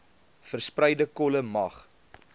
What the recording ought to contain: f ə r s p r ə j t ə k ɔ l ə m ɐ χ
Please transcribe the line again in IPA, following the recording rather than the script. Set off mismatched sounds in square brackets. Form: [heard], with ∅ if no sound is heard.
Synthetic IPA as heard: f ə r s p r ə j [d] ə k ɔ l ə m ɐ χ